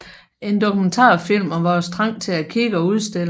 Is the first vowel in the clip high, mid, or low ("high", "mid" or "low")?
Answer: mid